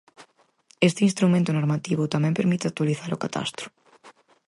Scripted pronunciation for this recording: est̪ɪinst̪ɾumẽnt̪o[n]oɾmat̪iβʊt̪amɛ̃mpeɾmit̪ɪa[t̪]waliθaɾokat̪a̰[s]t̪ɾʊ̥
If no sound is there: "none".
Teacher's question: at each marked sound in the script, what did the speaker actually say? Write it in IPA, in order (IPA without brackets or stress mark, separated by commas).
n, t̪, s